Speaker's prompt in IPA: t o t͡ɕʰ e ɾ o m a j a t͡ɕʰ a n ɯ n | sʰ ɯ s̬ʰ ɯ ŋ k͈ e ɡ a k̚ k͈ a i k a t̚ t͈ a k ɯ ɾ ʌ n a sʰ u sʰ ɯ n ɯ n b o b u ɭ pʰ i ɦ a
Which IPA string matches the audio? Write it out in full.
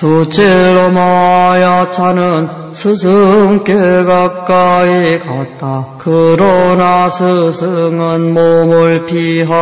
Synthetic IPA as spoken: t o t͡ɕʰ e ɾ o m a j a t͡ɕʰ a n ɯ n | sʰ ɯ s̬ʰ ɯ ŋ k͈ e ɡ a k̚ k͈ a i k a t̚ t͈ a k ɯ ɾ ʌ n a sʰ ɯ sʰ ɯ ŋ ɯ n m o m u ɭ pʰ i ɦ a